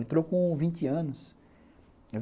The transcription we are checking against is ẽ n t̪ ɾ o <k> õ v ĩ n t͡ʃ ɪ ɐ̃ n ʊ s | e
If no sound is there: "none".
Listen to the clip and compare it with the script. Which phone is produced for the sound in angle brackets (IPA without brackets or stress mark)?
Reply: k